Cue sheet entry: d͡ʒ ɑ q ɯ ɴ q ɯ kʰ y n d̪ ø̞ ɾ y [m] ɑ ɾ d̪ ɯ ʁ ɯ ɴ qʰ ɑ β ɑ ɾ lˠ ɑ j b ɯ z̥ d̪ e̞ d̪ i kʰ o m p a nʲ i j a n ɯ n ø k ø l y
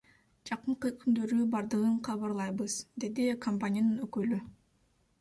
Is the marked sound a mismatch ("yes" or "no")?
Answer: yes